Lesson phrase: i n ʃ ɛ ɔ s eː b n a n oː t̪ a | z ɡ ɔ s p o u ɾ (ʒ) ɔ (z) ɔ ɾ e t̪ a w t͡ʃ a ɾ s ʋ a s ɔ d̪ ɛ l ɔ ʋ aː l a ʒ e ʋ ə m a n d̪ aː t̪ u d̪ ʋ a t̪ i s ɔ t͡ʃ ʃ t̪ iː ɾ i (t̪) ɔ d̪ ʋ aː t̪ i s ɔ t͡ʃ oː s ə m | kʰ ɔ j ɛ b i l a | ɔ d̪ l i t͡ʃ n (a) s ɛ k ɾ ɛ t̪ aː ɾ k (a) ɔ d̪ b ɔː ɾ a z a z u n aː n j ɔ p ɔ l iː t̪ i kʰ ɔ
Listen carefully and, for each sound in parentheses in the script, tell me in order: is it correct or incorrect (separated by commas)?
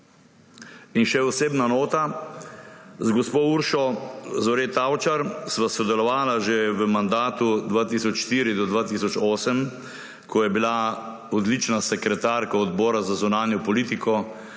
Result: incorrect, correct, incorrect, correct, correct